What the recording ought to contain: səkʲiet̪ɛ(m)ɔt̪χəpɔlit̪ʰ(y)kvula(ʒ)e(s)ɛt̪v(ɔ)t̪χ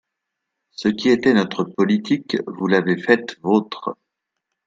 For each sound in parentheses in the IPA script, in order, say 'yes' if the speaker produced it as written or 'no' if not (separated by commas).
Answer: no, no, no, no, no